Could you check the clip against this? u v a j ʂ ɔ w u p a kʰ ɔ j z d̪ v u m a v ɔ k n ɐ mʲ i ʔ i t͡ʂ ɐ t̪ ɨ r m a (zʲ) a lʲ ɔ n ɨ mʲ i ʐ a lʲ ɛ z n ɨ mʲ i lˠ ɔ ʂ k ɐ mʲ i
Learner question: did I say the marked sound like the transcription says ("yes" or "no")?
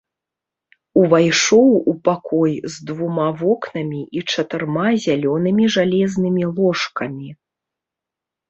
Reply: yes